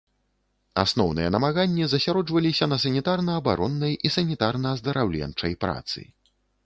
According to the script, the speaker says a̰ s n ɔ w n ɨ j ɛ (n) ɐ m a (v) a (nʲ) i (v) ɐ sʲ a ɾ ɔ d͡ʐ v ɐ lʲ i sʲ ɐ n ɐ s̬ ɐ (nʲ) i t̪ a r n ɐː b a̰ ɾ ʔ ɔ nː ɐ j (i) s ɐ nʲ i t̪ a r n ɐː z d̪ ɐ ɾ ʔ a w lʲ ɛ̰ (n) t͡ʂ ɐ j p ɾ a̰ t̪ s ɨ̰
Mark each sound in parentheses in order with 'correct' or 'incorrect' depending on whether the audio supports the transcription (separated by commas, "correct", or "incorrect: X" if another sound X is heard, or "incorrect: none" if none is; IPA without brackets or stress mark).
correct, incorrect: ɣ, incorrect: nʲː, incorrect: z, correct, correct, correct